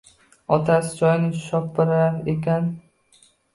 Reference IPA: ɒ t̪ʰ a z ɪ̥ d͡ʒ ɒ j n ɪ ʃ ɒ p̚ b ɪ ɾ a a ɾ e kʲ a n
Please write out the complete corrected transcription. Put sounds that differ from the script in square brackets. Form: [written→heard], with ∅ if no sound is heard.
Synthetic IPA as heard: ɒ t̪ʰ a [z→s] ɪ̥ d͡ʒ ɒ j n ɪ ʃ ɒ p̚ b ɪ ɾ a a ɾ e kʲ a n